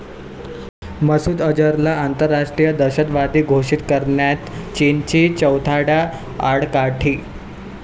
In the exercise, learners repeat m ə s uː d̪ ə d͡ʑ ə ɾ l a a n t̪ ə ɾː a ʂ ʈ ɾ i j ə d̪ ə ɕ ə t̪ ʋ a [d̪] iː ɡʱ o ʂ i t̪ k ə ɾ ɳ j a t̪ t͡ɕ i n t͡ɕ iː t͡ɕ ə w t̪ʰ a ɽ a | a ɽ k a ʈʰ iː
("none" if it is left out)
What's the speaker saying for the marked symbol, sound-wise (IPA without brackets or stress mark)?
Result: d̪